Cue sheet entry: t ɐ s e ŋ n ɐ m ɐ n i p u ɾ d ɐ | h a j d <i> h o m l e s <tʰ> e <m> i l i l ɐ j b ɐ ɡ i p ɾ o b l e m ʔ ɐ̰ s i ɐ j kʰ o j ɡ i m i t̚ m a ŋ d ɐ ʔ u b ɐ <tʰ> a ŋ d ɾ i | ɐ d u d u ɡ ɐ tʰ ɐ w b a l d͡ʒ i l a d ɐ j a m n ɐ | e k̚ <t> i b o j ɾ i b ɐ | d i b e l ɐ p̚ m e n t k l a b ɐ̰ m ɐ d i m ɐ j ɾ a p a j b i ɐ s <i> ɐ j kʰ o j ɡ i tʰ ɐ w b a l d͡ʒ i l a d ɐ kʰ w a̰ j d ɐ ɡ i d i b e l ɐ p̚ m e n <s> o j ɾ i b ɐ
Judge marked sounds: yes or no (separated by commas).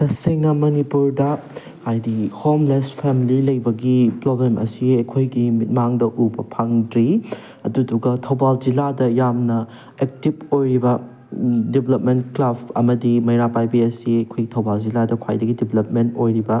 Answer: yes, no, yes, no, yes, yes, no